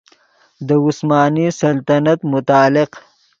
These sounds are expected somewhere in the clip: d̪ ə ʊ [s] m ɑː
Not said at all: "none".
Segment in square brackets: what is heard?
s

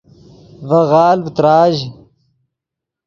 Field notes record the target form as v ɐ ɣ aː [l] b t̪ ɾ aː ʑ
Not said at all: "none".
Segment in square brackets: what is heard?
l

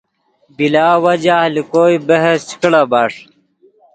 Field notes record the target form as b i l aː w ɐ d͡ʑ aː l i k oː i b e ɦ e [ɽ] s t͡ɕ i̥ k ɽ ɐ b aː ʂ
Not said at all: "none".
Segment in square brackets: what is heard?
none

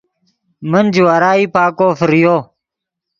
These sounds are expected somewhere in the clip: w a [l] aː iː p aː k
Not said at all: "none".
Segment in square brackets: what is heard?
ɾ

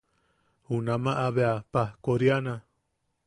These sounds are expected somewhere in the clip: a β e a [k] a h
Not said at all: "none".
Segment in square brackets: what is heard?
p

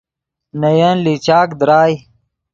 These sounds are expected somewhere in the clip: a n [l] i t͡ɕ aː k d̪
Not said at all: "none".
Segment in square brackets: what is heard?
l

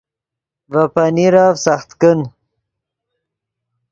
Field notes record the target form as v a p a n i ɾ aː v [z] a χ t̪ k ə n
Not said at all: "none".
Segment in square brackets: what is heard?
s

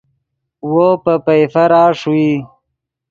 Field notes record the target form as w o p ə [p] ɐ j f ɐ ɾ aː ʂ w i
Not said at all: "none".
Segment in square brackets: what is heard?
p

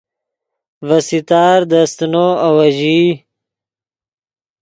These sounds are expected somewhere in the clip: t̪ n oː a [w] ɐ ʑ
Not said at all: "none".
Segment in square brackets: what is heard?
w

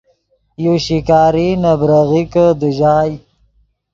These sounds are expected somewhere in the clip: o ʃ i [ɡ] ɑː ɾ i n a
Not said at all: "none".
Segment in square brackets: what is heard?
k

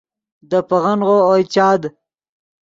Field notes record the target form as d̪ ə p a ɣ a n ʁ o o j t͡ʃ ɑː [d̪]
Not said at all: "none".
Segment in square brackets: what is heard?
d̪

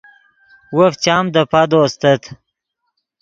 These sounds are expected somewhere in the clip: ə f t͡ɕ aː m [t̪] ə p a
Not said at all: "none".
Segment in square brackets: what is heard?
d̪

